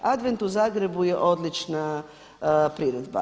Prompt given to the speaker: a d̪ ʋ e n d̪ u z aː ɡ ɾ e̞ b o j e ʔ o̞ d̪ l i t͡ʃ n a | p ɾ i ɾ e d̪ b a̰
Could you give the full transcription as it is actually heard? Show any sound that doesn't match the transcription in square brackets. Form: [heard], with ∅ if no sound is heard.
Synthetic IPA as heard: a d̪ ʋ e n [t̪] u z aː ɡ ɾ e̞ b [u] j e ʔ o̞ d̪ l i t͡ʃ n a | p ɾ i ɾ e d̪ b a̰